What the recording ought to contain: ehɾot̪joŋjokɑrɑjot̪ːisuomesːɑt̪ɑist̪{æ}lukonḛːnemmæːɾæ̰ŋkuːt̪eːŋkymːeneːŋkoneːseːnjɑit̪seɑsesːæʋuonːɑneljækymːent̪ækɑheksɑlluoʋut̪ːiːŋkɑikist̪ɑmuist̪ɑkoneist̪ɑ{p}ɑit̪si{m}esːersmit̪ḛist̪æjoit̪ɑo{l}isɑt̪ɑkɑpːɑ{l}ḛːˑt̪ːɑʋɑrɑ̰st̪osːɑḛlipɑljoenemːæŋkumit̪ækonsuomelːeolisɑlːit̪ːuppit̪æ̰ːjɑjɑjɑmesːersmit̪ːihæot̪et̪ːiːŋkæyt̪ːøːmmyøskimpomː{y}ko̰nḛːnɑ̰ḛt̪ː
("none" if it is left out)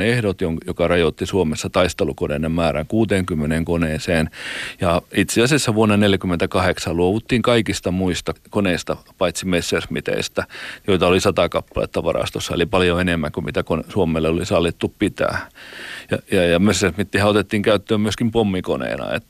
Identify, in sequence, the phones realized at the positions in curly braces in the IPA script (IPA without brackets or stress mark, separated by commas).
e, p, m, l, l, i